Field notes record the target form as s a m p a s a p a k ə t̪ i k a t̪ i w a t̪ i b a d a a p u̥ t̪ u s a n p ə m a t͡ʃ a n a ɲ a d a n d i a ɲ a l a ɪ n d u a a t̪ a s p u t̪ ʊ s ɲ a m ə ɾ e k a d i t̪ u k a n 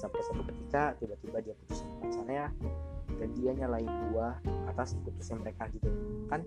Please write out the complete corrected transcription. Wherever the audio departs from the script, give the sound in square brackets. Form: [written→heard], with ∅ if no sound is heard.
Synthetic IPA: s a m p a s a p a k ə t̪ i k a t̪ i [w→b] a t̪ i b a d [a→i] a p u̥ t̪ u s a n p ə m a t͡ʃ a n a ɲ a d a n d i a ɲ a l a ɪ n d u a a t̪ a s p u t̪ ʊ s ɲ a m ə ɾ e k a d i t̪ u k a n